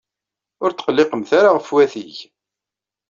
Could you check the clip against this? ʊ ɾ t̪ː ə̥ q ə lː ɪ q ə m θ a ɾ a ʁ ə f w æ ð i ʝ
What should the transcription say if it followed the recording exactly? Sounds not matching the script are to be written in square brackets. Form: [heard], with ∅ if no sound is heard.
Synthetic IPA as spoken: ʊ ɾ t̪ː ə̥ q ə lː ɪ q ə m θ a ɾ a ʁ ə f w æ [θ] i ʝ